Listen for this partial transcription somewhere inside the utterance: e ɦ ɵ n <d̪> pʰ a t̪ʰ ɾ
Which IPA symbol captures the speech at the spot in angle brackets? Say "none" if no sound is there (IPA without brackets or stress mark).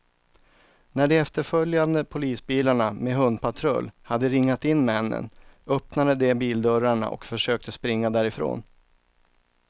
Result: d̪